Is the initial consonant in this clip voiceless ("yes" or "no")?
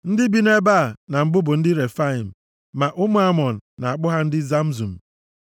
no